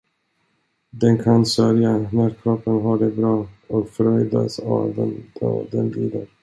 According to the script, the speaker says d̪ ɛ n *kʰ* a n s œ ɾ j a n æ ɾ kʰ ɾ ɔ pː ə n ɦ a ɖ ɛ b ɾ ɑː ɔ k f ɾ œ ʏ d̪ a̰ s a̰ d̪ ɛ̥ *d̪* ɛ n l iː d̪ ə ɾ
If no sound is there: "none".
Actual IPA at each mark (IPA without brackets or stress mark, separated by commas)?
kʰ, d̪